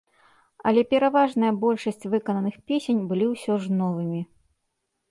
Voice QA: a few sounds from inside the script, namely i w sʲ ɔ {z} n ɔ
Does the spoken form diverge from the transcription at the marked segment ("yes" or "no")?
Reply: yes